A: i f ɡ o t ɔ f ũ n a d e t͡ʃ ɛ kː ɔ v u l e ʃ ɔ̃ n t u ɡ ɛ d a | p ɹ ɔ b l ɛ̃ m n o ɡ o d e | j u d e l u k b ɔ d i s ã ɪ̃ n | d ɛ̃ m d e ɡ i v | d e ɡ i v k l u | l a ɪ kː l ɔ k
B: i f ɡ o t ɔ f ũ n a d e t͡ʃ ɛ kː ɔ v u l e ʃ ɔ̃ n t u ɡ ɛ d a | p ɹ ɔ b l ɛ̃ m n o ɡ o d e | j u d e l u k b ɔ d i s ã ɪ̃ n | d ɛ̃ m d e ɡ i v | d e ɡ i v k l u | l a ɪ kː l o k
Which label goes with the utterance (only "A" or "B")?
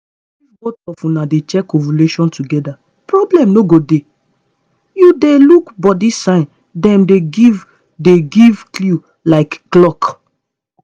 A